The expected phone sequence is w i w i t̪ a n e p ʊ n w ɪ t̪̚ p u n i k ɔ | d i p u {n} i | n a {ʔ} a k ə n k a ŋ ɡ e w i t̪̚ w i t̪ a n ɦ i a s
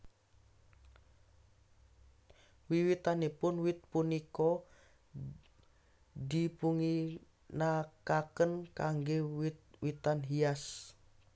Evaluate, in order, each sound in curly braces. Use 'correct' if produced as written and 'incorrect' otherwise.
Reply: incorrect: ŋ, incorrect: k

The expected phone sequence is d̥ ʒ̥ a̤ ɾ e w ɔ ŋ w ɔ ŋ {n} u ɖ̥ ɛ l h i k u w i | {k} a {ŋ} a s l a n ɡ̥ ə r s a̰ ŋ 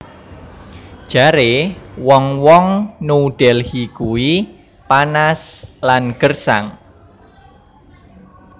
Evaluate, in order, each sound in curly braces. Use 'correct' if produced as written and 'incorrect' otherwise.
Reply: correct, incorrect: p, incorrect: n

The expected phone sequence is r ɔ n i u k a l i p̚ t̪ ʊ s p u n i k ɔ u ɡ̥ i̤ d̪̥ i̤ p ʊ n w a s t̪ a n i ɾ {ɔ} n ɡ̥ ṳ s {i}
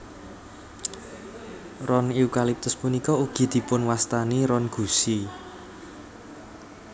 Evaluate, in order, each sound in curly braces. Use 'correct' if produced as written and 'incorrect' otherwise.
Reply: correct, correct

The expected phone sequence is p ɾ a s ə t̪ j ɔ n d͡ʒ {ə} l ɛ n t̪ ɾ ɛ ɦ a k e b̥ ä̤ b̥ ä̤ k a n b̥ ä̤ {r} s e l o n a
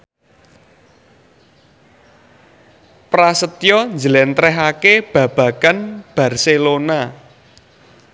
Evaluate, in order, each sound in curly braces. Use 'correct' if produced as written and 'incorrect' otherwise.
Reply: correct, correct

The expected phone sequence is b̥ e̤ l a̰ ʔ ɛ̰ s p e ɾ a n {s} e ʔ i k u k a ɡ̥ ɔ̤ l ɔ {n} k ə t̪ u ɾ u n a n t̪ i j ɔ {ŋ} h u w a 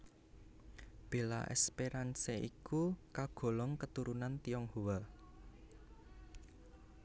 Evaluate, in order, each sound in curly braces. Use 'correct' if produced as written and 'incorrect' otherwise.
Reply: correct, incorrect: ŋ, correct

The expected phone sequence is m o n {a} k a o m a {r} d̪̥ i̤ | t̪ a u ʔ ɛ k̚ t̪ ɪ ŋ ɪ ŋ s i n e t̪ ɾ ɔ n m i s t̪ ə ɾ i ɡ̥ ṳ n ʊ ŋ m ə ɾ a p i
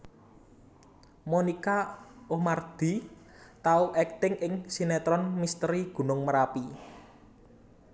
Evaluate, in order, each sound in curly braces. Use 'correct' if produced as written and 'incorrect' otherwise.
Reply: incorrect: i, correct

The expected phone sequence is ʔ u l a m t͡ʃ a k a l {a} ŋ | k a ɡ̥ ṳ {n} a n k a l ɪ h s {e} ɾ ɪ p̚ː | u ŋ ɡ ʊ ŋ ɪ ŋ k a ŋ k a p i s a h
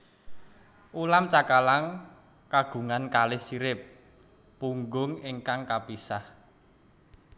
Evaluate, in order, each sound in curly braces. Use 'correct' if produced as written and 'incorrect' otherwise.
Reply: correct, incorrect: ŋ, incorrect: i

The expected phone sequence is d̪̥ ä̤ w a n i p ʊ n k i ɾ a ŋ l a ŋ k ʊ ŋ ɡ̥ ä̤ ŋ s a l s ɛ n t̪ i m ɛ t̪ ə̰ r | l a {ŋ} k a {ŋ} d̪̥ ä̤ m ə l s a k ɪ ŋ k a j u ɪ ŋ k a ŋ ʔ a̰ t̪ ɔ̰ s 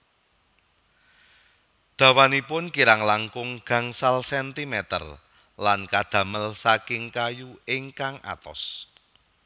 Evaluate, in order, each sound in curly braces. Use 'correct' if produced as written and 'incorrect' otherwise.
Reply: incorrect: n, incorrect: none

